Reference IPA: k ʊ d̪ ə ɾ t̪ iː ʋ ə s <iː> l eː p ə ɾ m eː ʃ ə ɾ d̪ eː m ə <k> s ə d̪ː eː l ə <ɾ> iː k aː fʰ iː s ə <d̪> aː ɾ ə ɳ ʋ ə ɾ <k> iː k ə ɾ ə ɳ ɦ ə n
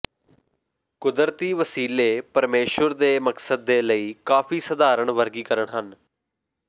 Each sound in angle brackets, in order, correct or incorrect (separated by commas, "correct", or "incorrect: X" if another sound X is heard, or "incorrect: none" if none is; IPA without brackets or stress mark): correct, correct, incorrect: none, correct, incorrect: ɡ